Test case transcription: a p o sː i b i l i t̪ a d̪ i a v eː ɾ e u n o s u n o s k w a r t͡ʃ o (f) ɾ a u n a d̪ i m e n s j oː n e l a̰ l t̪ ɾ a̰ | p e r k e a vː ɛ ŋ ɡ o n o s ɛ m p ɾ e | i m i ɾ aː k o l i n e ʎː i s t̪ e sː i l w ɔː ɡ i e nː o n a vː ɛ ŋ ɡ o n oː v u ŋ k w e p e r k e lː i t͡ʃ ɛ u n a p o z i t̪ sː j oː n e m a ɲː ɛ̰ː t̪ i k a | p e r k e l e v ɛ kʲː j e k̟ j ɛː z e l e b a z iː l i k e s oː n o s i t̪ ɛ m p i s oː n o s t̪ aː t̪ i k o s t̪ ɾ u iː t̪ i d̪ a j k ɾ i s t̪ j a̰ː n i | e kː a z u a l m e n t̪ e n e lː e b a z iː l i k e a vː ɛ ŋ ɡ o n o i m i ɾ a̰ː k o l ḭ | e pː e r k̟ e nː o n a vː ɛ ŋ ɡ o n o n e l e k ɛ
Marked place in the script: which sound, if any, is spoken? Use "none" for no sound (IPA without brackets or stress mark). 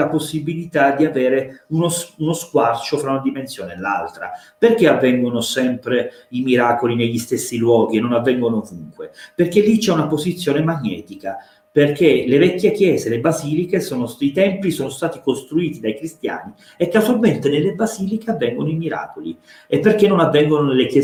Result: f